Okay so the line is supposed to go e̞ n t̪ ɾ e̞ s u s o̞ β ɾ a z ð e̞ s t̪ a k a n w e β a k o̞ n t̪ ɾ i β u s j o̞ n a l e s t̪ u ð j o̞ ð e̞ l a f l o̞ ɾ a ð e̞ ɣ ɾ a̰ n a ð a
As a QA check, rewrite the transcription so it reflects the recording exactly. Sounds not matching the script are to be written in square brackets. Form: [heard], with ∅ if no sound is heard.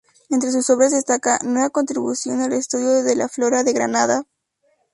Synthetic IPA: e̞ n t̪ ɾ e̞ s u s o̞ β ɾ a z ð e̞ s t̪ a k a n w e β a k o̞ n t̪ ɾ i β u s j o̞ n a l e s t̪ u ð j o̞ ð e̞ l a f l o̞ ɾ a ð e̞ ɣ ɾ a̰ n a ð a